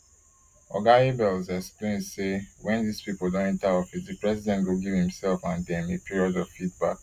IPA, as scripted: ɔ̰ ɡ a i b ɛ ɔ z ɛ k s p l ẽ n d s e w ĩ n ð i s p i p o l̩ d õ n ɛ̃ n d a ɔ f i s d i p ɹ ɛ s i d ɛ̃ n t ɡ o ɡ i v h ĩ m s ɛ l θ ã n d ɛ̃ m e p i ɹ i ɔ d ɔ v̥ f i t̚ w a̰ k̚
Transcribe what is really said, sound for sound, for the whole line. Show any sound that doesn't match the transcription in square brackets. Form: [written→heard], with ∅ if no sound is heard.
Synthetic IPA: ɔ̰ ɡ a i b ɛ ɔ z ɛ k s p l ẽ n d s e w [ĩ→ɛ̃] n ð i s p i p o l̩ d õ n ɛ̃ n [d→t] a ɔ f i s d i p ɹ ɛ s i d ɛ̃ n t ɡ o ɡ i v h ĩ m s ɛ l [θ→f] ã n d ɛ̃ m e p i ɹ i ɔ d ɔ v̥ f i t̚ [w→b] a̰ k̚